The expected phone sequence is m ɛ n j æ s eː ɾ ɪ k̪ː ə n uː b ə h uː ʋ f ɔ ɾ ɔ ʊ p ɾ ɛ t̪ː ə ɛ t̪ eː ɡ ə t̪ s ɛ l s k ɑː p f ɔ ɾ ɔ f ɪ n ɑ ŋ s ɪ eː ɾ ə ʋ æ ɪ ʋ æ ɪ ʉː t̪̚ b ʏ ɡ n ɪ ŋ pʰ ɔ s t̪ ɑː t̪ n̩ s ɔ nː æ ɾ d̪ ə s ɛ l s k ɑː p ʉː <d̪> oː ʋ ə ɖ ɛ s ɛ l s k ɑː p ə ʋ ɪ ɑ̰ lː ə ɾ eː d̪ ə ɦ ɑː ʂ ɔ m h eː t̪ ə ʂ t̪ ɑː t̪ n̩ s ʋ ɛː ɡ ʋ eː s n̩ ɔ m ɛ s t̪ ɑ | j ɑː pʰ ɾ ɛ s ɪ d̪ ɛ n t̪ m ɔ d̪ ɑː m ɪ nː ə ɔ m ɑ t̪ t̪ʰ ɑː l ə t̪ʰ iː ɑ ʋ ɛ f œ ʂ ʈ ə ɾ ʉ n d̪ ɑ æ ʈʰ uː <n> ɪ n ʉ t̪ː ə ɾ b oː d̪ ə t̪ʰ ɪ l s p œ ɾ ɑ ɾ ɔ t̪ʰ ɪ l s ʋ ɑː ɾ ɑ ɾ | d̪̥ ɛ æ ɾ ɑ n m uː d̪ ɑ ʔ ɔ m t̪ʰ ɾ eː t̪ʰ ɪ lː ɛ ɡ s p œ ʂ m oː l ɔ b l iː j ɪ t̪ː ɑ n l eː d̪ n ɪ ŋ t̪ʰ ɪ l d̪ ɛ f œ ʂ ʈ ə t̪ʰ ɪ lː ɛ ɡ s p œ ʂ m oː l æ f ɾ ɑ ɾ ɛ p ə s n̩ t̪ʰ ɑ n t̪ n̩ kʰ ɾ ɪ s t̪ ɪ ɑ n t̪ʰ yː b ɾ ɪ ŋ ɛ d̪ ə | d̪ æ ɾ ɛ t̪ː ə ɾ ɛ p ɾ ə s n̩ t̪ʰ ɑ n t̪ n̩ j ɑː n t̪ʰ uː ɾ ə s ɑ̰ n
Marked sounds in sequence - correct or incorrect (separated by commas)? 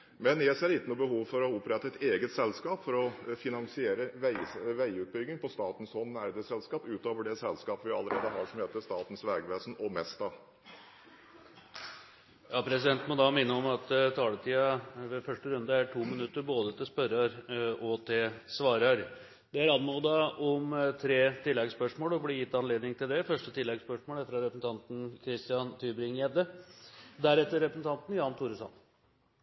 incorrect, incorrect